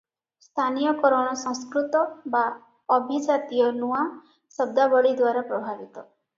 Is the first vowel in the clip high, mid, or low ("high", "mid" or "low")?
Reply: low